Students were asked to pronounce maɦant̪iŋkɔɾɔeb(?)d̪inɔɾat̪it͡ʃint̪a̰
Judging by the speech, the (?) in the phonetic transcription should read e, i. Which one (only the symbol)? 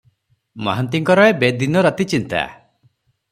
e